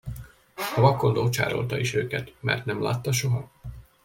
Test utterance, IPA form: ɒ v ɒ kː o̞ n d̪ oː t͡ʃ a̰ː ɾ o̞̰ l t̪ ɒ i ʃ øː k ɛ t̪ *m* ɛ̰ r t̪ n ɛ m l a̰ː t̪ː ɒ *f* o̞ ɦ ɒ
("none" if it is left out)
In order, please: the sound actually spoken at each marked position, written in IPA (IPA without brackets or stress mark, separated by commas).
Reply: m, ʃ